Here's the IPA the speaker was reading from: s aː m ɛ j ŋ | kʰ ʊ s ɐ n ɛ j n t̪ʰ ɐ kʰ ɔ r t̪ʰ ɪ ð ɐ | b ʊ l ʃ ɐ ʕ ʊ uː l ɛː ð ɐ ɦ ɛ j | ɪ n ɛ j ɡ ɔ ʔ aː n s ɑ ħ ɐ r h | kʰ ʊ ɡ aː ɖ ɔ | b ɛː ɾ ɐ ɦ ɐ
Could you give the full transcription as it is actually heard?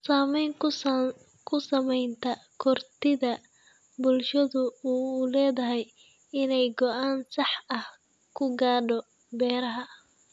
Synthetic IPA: s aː m ɛ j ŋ | kʰ ʊ s ɐ m ɛ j n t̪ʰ ɐ kʰ ɔ r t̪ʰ ɪ ð ɐ | b ʊ l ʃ ɐ ð ʊ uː l ɛː ð ɐ ɦ ɛ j | ɪ n ɛ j ɡ ɔ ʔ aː n s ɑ ħ ɐ h | kʰ ʊ ɡ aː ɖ ɔ | b ɛː ɾ ɐ ɦ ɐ

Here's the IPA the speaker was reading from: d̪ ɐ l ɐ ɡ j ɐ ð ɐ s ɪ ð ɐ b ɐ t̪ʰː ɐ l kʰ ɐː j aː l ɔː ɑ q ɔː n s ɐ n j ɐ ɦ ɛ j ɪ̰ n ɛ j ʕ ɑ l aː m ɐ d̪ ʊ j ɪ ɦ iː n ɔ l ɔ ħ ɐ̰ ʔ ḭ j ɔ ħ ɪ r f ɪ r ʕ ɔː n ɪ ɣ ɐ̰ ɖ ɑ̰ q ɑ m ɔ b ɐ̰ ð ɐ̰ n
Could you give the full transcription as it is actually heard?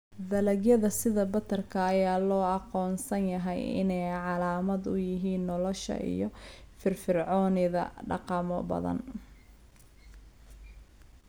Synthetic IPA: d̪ ɐ l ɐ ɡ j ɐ ð ɐ s ɪ ð ɐ b ɐ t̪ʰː ɐ r kʰ ɐː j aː l ɔː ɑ q ɔː n s ɐ n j ɐ ɦ ɛ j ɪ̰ n ɛ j ʕ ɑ l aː m ɐ d̪ ʊ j ɪ ɦ iː nː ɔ l ɔ ʃ ɐ̰ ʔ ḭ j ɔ f ɪ r f ɪ r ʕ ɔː n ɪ ð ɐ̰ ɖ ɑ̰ q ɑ m ɔ b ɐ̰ ð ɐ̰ n

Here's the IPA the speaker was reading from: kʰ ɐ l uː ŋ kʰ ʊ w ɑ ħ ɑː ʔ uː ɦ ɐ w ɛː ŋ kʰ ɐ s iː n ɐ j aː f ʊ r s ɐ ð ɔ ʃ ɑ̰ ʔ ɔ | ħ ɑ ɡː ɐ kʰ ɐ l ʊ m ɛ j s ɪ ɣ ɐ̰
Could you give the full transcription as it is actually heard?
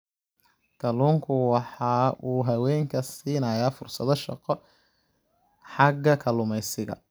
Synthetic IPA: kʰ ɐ l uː ŋ kʰ ʊ w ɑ ħ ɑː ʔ uː ɦ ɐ w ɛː ŋ kʰ ɐ s iː n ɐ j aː f ʊ r s ɐ ð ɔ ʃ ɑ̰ q ɔ | ħ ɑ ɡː ɐ kʰ ɐ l ʊ m ɛ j s ɪ ɣ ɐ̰

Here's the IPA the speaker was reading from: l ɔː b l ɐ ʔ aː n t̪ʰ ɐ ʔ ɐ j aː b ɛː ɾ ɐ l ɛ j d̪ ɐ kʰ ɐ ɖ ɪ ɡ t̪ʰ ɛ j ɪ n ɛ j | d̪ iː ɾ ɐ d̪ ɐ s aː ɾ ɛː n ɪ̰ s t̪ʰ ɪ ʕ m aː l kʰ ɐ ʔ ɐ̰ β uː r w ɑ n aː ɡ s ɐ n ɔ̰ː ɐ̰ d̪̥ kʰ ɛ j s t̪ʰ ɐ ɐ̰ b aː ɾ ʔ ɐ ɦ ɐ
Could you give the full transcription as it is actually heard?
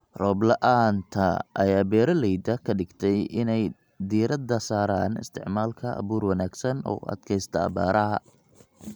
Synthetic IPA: r ɔː b l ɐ ʔ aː n t̪ʰ ɐ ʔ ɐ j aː b ɛː ɾ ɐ l ɛ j d̪ ɐ kʰ ɐ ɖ ɪ ɡ t̪ʰ ɛ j ɪ n ɛ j | d̪ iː ɾ ɐ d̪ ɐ s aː ɾ aː n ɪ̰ s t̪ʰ ɪ ʕ m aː l kʰ ɐ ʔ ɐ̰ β uː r w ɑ n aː ɡ s ɐ n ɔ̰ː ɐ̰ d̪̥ kʰ ɛ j s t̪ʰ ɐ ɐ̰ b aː ɾ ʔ ɐ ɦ ɐ

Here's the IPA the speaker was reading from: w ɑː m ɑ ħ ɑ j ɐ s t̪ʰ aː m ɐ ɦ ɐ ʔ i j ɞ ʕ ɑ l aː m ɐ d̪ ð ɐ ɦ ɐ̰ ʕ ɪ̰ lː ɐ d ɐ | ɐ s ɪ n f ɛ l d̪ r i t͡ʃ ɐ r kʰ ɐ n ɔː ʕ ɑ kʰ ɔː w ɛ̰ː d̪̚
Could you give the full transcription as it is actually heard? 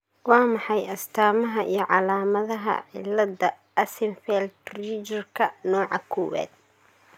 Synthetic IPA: w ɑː m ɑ ħ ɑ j ɐ s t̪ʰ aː m ɐ ɦ ɐ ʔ i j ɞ ʕ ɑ l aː m ɐ ð ɐ ɦ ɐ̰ ʕ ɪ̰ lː ɐ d ɐ | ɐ s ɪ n f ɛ l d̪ r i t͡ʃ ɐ r kʰ ɐ n ɔː ʕ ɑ kʰ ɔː w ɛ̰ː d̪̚

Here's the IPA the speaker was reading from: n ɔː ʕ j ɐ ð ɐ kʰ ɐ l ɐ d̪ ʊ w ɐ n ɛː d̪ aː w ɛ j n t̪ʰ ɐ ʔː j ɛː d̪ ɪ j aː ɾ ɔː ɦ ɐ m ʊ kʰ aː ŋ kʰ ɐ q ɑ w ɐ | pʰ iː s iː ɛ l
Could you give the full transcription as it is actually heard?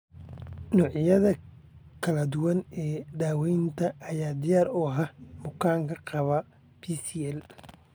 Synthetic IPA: n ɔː ʕ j ɐ ð ɐ kʰ ɐ l ɐ d̪ ʊ w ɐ n ɛː d̪ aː w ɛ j n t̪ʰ ɐ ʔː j aː d̪ ɪ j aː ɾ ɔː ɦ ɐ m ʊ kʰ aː ŋ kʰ ɐ q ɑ β ɐ | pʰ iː s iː ɛ l

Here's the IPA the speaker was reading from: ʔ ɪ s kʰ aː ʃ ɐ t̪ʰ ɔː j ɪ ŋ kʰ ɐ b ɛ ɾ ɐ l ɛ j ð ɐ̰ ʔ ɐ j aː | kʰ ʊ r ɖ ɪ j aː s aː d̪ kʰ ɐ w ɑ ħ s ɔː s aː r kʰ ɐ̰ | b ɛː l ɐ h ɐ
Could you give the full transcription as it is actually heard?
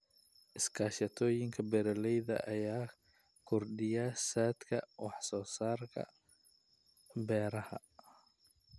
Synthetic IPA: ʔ ɪ s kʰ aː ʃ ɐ t̪ʰ ɔː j ɪ ŋ kʰ ɐ b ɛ ɾ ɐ l ɛ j ð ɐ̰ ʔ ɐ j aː | kʰ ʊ r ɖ ɪ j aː s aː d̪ kʰ ɐ w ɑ ħ s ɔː s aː r kʰ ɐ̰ | b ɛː ɾ ɐ h ɐ

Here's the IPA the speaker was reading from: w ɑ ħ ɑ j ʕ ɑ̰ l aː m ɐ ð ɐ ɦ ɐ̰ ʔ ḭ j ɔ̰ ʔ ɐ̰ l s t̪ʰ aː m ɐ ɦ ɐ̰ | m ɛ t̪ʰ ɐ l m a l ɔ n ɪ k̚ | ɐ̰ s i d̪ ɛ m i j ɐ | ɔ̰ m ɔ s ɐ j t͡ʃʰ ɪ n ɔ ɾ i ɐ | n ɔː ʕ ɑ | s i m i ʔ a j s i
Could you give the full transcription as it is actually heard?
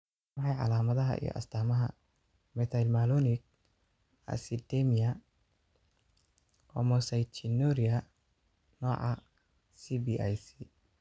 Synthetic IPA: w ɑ ħ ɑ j ʕ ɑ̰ l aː m ɐ ð ɐ ɦ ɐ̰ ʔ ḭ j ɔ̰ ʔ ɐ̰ s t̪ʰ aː m ɐ ɦ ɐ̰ | m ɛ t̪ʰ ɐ l m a l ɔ n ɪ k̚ | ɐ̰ s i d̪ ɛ m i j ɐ | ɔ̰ m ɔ s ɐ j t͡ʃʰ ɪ n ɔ ɾ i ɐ | n ɔː ʕ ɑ | s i b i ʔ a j s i

